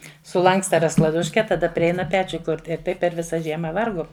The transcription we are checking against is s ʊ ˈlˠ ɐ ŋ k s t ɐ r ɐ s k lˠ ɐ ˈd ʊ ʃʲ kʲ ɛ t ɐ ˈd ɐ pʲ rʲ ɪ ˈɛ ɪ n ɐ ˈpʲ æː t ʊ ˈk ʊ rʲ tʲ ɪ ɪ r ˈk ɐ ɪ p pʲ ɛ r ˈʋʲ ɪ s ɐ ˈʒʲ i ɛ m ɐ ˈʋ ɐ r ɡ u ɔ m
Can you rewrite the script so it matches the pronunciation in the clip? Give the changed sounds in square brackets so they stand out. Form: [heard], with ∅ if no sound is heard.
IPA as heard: s ʊ ˈlˠ ɐ ŋ k s t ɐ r ɐ s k lˠ ɐ ˈd ʊ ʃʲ kʲ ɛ t ɐ ˈd ɐ pʲ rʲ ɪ ˈɛ ɪ n ɐ ˈpʲ æː [t͡ʃʲ] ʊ ˈk ʊ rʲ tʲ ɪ ɪ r [ˈt] ɐ ɪ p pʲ ɛ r ˈʋʲ ɪ s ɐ ˈʒʲ i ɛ m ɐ ˈʋ ɐ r ɡ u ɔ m